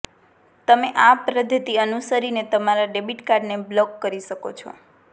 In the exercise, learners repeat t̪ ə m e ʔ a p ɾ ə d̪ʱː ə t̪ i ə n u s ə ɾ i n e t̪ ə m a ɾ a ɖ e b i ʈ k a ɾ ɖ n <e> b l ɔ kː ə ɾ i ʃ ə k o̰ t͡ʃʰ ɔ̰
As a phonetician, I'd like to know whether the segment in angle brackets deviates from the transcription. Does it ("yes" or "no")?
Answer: no